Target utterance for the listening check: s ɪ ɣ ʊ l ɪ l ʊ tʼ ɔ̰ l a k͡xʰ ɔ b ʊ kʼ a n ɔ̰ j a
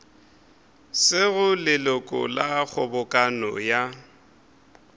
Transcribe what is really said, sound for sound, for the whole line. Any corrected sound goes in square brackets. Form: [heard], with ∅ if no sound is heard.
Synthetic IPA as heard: s ɪ ɣ ʊ l ɪ l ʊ [kʼ] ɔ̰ l a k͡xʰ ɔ b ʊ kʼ a n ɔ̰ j a